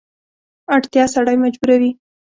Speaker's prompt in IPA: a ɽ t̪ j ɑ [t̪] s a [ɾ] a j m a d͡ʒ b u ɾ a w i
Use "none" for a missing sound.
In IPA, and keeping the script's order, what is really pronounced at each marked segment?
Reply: none, ɽ

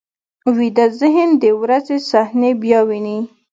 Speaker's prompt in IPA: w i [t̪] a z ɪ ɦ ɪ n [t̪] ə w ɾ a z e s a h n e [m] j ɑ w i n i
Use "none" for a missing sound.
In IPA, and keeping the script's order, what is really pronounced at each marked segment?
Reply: d̪, d̪, b

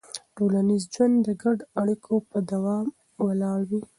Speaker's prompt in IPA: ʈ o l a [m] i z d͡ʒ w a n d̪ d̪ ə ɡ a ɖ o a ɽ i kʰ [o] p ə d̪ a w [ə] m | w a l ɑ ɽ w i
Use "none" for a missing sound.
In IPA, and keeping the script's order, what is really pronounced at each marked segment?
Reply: n, o, ɑ

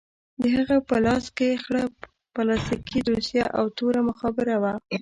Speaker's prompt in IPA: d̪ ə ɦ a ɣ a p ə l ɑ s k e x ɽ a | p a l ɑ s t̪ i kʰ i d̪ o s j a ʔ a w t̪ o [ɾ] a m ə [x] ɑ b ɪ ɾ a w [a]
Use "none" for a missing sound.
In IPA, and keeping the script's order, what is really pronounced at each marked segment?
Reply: ɾ, x, a

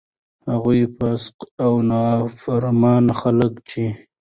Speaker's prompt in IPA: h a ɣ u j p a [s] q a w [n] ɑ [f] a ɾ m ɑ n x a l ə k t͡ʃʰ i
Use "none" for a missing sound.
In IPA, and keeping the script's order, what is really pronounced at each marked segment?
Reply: s, n, f

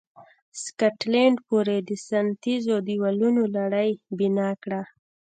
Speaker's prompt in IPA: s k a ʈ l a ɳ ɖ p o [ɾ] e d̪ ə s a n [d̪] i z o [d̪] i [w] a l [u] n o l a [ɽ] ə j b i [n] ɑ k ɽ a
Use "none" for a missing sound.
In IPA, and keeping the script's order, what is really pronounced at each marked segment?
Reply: ɾ, t̪, d̪, w, u, ɽ, n

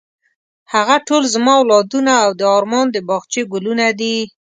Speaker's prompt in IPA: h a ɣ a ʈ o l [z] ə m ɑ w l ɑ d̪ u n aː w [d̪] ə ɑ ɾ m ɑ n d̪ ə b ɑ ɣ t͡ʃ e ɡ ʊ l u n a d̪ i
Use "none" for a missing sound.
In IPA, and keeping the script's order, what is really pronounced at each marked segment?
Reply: z, d̪

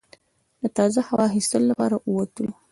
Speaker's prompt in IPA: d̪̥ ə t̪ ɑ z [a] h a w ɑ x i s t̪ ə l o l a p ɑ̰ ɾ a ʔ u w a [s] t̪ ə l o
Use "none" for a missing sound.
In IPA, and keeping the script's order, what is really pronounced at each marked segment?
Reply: a, none

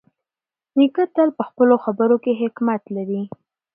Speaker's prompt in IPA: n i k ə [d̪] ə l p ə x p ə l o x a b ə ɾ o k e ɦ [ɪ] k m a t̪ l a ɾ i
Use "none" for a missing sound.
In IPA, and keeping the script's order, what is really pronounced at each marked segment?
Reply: t̪, ɪ

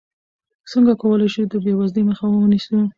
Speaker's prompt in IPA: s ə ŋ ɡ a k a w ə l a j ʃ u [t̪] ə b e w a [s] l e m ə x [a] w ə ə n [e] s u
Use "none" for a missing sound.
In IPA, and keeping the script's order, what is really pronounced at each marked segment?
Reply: d̪, z, a, i

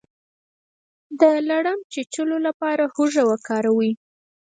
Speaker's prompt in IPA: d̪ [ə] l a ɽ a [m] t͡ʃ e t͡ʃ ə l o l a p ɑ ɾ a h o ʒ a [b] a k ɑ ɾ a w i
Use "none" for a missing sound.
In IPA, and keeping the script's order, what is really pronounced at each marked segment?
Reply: ə, m, w

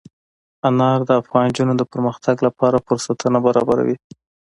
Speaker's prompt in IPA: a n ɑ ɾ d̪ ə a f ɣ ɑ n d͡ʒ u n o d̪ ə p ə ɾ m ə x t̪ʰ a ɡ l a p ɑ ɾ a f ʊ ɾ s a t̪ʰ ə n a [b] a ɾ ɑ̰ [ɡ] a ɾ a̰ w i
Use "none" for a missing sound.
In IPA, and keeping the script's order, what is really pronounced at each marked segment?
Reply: b, b

